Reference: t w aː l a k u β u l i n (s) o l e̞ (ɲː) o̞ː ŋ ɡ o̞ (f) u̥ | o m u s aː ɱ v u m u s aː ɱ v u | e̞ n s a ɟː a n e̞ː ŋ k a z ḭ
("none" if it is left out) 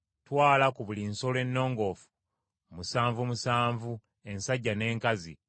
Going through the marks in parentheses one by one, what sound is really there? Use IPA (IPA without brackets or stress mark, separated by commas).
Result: s, nː, f